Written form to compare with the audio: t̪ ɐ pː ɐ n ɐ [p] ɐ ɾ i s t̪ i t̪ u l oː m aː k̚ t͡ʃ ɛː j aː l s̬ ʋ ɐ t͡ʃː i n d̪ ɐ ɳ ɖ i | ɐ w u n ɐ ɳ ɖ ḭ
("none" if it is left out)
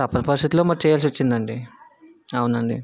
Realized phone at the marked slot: p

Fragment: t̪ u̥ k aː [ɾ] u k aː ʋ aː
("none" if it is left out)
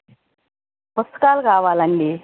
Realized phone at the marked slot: l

